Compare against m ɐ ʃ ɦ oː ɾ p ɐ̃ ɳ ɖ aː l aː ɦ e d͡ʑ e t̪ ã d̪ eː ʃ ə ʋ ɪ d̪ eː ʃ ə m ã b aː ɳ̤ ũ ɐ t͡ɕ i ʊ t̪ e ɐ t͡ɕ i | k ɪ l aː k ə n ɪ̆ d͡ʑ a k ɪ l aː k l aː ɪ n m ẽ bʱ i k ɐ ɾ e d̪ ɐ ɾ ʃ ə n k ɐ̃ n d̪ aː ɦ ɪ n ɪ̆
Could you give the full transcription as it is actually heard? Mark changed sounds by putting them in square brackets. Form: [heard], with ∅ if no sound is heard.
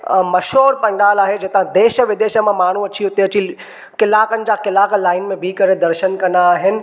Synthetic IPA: m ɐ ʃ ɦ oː ɾ p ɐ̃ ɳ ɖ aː l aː ɦ e d͡ʑ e t̪ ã d̪ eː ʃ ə ʋ ɪ d̪ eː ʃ ə m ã [m] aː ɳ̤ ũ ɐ t͡ɕ i ʊ t̪ e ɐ t͡ɕ i | k ɪ l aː k ə n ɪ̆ d͡ʑ a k ɪ l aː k l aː ɪ n m ẽ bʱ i k ɐ ɾ e d̪ ɐ ɾ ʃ ə n k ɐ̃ n d̪ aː ɦ ɪ n ɪ̆

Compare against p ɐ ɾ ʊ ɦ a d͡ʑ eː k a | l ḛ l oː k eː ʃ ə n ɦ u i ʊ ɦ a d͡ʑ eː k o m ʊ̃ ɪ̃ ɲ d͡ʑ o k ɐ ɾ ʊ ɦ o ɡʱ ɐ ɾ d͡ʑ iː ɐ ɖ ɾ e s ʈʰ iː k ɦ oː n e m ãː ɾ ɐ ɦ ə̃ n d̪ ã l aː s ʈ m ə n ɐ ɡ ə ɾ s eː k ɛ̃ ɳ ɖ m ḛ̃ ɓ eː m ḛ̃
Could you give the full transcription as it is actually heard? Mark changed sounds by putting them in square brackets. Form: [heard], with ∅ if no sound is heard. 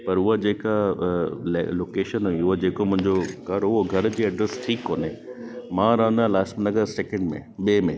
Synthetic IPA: p ɐ ɾ ʊ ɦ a d͡ʑ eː k a | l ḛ l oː k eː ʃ ə n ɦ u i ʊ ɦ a d͡ʑ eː k o m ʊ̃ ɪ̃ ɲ d͡ʑ o k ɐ ɾ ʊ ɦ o ɡʱ ɐ ɾ d͡ʑ iː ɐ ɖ ɾ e s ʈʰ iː k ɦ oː n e m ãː ɾ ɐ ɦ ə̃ n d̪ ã l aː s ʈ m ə n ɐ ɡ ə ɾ s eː k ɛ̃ ɳ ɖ m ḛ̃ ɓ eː m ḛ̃

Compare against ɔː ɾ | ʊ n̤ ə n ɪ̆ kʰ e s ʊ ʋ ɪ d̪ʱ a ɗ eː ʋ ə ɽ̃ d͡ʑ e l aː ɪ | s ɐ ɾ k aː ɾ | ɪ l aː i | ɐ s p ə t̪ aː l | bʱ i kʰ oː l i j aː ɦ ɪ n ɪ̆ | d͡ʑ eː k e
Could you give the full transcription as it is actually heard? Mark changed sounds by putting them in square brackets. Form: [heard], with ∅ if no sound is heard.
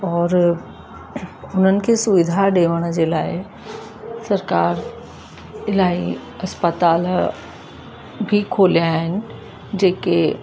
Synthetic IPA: ɔː ɾ | ʊ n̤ ə n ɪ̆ kʰ e s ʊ ʋ ɪ d̪ʱ a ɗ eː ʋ ə ɽ̃ d͡ʑ e l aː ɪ | s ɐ ɾ k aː ɾ | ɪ l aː i | ɐ s p ə t̪ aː l | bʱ i kʰ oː l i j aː ɦ ɪ n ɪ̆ | d͡ʑ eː k e

